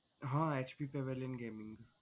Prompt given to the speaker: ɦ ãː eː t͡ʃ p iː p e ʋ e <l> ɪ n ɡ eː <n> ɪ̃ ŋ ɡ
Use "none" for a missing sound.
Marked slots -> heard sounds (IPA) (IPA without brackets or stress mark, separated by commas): l, m